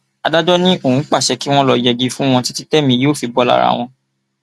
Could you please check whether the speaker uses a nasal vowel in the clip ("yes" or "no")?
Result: yes